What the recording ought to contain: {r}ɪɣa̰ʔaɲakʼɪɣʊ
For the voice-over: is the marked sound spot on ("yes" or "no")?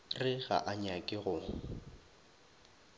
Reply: yes